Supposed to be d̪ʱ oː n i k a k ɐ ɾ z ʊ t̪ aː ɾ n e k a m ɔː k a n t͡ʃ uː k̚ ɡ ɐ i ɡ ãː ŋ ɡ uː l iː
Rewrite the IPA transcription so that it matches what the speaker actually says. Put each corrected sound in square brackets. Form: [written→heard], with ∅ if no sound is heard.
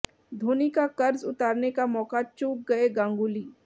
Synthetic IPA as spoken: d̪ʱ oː n i k a k ɐ ɾ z ʊ t̪ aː ɾ n e k a m ɔː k a [n→∅] t͡ʃ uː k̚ ɡ ɐ [i→e] ɡ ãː ŋ ɡ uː l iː